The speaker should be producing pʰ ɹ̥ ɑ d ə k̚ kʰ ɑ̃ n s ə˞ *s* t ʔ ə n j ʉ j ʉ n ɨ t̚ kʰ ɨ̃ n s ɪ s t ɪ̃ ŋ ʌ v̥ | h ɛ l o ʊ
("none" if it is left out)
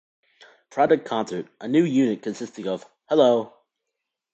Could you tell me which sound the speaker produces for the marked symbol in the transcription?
none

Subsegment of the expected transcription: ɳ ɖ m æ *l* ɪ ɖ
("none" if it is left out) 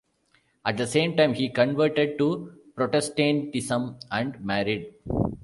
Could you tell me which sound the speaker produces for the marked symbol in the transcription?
ɾ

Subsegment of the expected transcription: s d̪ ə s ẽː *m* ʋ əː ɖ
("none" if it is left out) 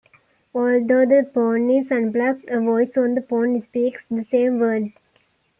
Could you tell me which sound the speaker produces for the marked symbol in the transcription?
m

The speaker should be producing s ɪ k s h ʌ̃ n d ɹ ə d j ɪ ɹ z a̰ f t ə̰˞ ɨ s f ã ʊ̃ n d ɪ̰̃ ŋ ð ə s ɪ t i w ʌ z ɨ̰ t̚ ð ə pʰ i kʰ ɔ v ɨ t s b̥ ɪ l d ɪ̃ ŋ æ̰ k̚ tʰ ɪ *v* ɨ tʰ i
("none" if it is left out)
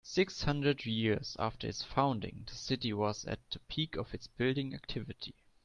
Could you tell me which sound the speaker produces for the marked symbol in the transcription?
v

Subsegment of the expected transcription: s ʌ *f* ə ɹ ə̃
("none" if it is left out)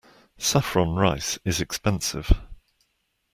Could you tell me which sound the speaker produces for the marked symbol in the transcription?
f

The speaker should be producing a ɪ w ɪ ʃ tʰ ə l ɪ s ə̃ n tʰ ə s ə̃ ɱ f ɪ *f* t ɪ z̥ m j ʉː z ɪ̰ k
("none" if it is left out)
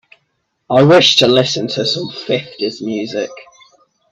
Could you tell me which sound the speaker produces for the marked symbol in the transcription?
f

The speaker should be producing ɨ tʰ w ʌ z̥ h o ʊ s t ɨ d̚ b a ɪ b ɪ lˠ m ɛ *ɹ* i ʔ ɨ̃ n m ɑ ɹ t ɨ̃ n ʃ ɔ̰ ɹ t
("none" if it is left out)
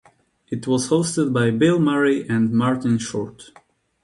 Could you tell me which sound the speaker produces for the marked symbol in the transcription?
ɹ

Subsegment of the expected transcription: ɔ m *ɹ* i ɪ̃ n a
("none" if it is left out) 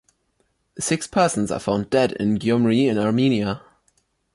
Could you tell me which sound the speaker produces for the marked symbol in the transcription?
ɹ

